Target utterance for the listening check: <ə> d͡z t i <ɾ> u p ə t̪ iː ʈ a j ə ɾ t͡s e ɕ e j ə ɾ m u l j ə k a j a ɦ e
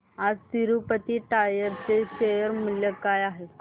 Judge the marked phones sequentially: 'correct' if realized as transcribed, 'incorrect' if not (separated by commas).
incorrect, correct